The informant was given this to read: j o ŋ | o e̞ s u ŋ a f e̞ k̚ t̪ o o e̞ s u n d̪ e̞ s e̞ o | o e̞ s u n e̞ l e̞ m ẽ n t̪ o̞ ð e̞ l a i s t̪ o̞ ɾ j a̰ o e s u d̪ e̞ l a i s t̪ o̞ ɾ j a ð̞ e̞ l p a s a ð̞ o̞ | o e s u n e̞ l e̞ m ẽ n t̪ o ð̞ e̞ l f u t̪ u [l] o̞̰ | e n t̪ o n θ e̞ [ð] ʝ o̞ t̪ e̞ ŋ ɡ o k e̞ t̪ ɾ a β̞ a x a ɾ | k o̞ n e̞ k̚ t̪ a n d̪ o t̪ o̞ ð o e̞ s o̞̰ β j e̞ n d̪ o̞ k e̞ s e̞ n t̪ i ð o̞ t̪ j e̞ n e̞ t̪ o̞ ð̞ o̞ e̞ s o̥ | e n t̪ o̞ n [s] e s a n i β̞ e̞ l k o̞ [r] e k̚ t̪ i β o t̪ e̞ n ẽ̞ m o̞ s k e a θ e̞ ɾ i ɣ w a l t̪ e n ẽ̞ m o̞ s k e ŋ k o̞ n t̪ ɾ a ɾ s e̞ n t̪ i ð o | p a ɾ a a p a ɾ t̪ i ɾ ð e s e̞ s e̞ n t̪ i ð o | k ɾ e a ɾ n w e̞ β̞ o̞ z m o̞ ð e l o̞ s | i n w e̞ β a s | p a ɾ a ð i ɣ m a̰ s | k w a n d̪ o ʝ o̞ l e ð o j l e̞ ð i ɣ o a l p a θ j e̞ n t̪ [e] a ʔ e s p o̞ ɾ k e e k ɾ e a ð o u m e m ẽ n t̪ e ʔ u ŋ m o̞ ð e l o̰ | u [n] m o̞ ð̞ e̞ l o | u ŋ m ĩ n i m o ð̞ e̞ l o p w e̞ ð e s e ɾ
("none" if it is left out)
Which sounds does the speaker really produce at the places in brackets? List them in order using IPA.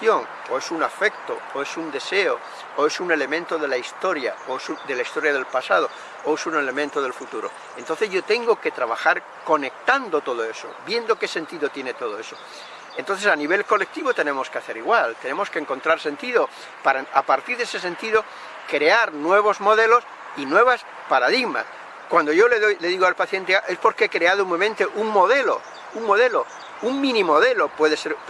ɾ, z, θ, l, e, ŋ

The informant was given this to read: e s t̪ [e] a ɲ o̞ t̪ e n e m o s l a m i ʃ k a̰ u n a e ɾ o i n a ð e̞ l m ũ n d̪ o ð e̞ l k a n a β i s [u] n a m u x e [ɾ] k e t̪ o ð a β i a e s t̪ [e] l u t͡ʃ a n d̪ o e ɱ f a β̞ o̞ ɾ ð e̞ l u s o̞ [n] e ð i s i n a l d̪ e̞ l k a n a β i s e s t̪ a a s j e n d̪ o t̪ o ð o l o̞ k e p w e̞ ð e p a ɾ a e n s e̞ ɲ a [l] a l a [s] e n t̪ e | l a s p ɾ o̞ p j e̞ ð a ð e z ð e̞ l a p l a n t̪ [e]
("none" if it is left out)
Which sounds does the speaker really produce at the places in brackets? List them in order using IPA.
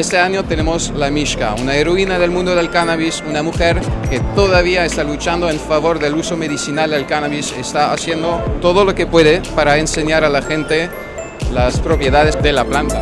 e, u, ɾ, a, m, ɾ, x, a

